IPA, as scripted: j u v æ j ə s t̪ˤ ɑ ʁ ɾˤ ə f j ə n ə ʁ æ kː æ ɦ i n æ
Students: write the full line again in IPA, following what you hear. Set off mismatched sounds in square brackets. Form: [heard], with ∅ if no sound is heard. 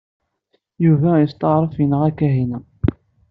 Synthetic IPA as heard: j u v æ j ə s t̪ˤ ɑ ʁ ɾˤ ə f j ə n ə ʁ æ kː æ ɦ i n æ

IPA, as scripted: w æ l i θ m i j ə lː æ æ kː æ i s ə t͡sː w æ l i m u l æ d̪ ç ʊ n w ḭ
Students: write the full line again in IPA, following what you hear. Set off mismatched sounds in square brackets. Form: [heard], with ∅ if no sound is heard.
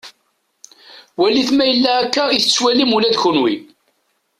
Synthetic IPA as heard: w æ l i θ m [æ] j ə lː æ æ kː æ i [θ] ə t͡sː w æ l i m u l æ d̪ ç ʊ n w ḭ

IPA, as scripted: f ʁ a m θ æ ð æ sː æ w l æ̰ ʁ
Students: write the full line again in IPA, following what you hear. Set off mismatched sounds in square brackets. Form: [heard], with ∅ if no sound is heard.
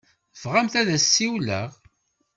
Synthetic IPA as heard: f ʁ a m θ æ ð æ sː [i] w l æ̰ ʁ

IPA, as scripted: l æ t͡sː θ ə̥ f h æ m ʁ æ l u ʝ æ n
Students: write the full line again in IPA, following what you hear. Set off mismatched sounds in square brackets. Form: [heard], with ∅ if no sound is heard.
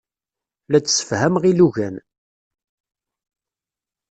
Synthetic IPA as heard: l æ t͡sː [s] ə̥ f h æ m ʁ [i] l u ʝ æ n

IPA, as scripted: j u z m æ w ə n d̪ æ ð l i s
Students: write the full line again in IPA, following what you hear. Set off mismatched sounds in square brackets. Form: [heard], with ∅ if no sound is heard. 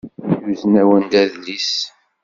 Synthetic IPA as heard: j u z [n] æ w ə n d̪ æ ð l i s

